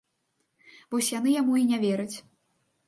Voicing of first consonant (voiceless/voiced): voiced